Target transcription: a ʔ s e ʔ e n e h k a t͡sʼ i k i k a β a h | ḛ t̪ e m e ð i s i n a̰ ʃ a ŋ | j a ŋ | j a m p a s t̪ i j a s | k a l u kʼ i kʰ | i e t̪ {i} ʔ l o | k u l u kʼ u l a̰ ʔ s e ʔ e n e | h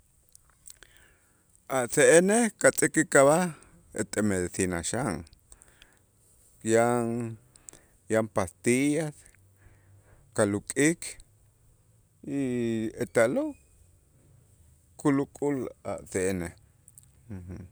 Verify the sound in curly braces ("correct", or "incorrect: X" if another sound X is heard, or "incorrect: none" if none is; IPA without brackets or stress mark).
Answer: incorrect: a